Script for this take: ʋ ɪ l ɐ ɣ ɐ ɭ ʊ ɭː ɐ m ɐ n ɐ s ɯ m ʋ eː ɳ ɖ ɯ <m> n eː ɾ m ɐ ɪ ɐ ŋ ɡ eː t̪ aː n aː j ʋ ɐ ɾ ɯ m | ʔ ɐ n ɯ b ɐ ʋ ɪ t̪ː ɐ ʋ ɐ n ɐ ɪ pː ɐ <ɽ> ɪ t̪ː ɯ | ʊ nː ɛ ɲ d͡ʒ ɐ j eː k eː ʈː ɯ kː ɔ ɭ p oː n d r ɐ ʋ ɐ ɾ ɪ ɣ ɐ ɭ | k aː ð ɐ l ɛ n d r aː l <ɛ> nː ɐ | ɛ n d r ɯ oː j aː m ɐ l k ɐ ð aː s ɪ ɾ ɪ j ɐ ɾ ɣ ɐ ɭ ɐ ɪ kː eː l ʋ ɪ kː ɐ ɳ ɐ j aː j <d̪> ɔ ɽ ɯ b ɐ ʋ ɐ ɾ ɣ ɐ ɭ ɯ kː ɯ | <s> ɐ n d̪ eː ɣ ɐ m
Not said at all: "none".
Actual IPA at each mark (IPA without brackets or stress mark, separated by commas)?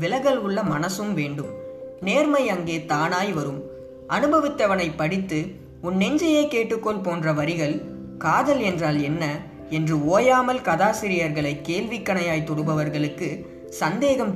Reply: m, ɽ, ɛ, t̪, s